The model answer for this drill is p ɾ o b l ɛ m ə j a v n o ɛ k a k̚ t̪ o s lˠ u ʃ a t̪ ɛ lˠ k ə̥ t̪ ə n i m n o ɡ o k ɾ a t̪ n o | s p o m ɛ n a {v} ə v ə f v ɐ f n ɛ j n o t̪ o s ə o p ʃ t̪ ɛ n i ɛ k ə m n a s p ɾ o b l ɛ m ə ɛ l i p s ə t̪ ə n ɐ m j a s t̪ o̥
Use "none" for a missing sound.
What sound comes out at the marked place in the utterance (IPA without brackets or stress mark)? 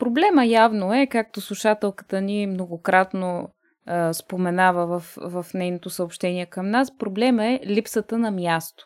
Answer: v